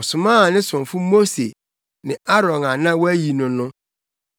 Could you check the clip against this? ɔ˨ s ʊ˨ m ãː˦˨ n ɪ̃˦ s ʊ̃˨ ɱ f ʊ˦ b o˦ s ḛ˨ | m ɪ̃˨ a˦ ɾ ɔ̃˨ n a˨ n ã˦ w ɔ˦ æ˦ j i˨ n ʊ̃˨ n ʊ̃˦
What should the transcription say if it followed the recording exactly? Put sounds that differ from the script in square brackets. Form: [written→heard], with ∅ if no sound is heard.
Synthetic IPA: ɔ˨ s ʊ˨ m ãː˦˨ n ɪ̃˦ s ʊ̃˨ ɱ f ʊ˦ [b→m] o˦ s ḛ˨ | [m→n] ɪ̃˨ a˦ ɾ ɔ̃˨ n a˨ n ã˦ w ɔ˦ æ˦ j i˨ n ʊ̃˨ n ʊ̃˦